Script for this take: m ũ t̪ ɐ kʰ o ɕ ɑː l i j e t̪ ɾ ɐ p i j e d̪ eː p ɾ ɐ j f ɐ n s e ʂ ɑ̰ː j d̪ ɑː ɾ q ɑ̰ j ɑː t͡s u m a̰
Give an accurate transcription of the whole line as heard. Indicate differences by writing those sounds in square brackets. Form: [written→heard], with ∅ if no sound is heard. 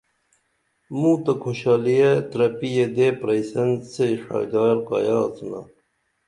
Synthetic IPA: m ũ t̪ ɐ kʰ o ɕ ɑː l i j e t̪ ɾ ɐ p i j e d̪ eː p ɾ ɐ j [f→s] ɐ n s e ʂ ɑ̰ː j d̪ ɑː ɾ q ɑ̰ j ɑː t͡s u [m→n] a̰